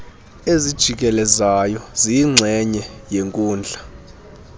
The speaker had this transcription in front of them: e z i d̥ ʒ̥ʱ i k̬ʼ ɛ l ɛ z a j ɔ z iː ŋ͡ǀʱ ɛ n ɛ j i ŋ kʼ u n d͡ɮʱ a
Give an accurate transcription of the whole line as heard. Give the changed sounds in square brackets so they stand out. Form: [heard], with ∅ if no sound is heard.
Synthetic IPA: e z i d̥ ʒ̥ʱ i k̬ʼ ɛ l ɛ z a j ɔ z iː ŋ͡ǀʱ ɛ [ɲ] ɛ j [e] ŋ kʼ [uː] n d͡ɮʱ a